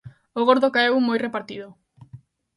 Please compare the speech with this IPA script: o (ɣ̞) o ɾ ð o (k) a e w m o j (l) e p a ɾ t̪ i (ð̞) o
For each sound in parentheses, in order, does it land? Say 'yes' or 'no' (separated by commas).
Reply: yes, yes, no, yes